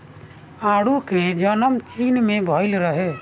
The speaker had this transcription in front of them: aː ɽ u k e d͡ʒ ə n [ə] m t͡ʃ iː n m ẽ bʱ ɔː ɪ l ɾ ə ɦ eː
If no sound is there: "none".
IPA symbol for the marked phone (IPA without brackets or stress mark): ə